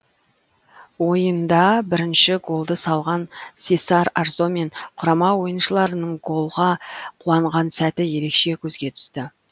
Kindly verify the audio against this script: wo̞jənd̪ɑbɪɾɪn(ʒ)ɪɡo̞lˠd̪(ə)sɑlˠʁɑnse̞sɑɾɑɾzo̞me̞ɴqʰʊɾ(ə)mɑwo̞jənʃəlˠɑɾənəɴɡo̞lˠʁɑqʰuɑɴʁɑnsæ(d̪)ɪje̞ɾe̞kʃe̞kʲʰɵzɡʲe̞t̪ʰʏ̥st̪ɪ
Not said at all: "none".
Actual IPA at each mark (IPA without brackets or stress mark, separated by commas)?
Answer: ʃ, ə, ɑ, t̪